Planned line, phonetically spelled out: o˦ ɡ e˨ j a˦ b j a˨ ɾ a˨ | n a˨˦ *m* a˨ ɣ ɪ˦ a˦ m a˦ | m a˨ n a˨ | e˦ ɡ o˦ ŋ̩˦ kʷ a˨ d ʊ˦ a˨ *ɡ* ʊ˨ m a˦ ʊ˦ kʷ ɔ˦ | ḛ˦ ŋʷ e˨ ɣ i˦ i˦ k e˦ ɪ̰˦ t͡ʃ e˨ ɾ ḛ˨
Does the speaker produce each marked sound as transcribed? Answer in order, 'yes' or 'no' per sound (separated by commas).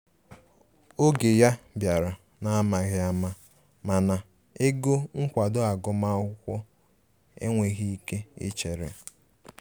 yes, yes